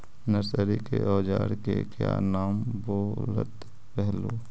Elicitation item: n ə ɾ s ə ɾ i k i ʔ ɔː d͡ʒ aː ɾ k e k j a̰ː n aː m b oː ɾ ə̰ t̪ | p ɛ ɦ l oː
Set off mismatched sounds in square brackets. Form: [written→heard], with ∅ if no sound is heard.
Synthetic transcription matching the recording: n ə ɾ s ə ɾ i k [i→e] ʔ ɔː d͡ʒ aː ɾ k e k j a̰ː n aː m b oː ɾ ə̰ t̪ | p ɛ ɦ l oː